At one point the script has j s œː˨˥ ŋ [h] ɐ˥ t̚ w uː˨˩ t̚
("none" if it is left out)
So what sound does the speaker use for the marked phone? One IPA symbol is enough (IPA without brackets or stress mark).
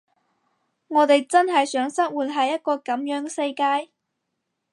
s